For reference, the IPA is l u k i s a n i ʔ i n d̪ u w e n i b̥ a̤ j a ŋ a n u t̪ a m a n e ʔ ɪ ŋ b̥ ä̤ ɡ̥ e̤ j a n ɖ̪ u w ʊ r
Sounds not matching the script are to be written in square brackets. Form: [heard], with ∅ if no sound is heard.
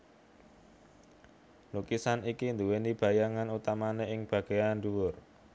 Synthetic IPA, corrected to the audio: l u k i s a n i [k] i n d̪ u w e n i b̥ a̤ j a ŋ a n u t̪ a m a n e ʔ ɪ ŋ b̥ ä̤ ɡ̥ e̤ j a n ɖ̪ u w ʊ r